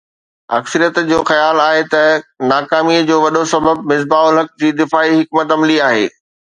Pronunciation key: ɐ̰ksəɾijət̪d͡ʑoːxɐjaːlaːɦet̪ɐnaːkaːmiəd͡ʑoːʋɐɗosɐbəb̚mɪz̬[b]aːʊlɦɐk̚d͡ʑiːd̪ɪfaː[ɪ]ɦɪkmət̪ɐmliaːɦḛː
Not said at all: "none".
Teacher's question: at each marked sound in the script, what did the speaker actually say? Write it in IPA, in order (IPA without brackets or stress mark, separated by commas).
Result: b, i